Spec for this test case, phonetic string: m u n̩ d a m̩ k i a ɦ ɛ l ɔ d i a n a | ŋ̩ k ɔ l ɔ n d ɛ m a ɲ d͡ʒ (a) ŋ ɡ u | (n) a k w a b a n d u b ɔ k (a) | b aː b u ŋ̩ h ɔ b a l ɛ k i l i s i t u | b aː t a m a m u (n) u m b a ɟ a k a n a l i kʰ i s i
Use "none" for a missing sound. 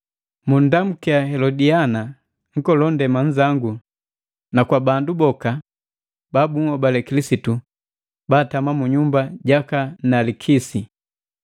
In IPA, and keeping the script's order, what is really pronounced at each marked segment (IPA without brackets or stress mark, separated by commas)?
a, n, a, ɲ